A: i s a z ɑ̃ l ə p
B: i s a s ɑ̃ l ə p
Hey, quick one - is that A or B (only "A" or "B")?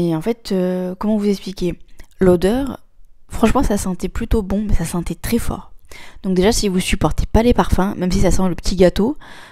B